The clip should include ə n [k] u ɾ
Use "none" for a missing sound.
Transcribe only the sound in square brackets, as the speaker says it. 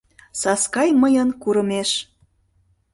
k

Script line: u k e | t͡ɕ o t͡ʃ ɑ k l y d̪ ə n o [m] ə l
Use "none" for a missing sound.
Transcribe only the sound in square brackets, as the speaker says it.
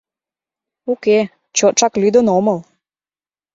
m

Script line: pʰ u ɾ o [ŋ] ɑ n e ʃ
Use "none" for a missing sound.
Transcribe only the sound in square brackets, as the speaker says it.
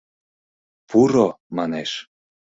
m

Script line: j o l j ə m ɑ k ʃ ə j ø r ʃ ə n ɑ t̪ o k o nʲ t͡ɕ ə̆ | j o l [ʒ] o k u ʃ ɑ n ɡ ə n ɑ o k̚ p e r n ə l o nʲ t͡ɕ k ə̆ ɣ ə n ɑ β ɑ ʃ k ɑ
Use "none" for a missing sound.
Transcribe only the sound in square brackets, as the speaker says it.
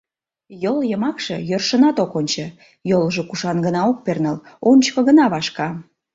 ʒ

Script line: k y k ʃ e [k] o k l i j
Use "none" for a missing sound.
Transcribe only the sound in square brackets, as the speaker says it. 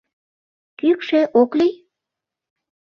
ʔ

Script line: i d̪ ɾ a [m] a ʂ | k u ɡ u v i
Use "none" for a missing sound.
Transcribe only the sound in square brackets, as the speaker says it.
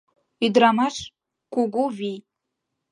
m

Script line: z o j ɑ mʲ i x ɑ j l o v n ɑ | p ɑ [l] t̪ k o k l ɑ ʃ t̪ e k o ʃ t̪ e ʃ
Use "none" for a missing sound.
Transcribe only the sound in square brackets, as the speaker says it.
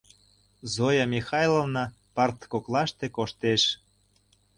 r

